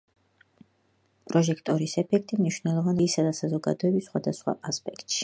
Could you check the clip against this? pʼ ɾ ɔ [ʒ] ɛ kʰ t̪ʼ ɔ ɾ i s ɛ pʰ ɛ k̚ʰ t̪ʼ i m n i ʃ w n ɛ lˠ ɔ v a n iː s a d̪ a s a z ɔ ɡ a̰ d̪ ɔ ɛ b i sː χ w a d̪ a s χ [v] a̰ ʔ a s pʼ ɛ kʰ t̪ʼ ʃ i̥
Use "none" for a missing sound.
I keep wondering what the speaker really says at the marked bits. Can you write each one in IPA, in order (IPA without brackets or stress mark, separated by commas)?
ʒ, w